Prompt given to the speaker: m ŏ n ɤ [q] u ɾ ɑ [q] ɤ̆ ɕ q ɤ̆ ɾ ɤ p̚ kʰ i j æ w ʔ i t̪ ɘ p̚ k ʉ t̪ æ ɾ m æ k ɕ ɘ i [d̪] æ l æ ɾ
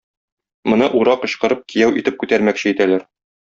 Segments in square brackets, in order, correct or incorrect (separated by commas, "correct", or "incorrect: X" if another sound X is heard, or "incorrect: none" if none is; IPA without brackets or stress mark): incorrect: ʔ, correct, incorrect: t̪